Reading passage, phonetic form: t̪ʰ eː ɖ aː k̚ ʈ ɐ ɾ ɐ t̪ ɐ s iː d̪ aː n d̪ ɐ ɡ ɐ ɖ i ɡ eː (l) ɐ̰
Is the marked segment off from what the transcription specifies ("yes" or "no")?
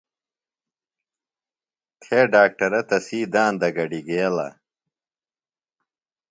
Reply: no